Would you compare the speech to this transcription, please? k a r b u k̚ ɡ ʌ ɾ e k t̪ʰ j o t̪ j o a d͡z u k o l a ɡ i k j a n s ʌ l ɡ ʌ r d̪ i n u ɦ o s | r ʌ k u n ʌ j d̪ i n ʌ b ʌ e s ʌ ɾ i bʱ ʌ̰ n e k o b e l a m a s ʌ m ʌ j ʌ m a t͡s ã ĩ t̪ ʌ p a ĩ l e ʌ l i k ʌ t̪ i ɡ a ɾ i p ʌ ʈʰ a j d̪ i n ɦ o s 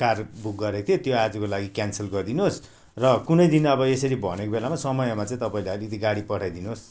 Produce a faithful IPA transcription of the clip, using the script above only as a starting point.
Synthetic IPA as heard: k a r b u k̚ ɡ ʌ ɾ e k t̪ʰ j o t̪ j o a d͡z u k o l a ɡ i k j a n s ʌ l ɡ ʌ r d̪ i n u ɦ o s | r ʌ k u n ʌ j d̪ i n ʌ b ʌ e s ʌ ɾ i bʱ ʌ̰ n e k o b e l a m a s ʌ m ʌ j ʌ m a t͡s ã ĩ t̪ ʌ p a ĩ l e ʌ l i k ʌ t̪ i ɡ a ɽ i p ʌ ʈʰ a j d̪ i n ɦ o s

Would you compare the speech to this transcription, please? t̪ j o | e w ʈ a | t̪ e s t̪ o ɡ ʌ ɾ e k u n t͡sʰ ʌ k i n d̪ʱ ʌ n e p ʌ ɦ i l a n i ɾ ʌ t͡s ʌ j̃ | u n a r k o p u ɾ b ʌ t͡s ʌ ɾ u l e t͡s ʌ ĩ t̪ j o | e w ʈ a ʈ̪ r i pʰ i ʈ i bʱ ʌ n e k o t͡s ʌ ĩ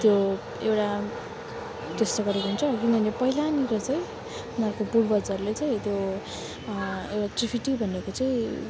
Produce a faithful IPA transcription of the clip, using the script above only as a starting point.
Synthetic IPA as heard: t̪ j o | e w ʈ a | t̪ e s t̪ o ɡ ʌ ɾ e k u n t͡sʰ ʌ k i n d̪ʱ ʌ n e p ʌ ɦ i l a n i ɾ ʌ t͡s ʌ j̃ | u n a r k o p u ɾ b ʌ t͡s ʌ ɾ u l e t͡s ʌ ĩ t̪ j o | e w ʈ a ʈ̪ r i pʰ i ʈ i bʱ ʌ n e k o t͡s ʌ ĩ

